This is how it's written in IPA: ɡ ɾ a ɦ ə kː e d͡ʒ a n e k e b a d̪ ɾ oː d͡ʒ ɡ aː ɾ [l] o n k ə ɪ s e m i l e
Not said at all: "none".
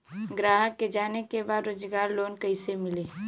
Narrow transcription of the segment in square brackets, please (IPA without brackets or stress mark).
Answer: l